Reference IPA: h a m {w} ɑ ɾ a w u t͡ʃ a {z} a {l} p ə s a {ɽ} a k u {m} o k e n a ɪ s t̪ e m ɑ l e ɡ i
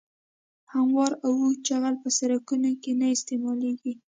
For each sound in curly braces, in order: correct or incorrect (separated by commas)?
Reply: correct, incorrect, correct, incorrect, incorrect